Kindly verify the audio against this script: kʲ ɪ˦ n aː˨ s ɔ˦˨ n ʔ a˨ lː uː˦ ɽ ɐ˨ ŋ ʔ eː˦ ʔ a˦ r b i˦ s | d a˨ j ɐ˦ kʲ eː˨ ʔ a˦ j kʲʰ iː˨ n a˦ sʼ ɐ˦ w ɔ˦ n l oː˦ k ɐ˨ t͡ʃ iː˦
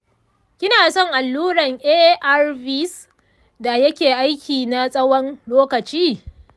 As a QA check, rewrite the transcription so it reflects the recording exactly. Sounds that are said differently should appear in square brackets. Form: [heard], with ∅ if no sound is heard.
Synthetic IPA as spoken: kʲ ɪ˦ n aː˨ s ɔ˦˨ [ŋ] ʔ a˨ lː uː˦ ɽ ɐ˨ ŋ ʔ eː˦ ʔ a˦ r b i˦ s | d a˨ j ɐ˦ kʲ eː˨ ʔ a˦ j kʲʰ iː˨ n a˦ sʼ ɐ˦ w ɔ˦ n l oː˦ k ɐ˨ t͡ʃ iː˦